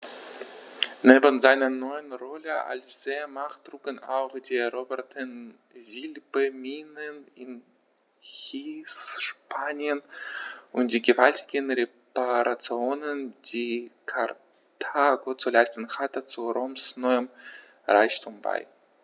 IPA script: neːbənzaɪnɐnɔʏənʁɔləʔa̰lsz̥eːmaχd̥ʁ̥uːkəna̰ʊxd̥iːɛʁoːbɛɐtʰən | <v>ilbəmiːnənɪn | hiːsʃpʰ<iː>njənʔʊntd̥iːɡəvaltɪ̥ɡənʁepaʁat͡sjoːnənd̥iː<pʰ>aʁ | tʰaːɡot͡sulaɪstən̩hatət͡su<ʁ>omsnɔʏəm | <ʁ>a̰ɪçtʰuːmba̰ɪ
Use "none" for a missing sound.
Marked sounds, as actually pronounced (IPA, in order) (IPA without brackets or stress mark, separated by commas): z, aː, kʰ, ʁ, ʁ